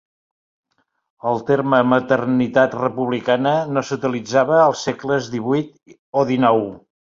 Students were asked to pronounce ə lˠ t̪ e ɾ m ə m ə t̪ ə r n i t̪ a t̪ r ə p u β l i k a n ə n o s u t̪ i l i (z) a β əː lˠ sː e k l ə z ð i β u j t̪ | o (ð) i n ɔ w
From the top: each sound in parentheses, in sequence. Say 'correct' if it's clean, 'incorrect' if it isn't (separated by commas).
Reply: incorrect, correct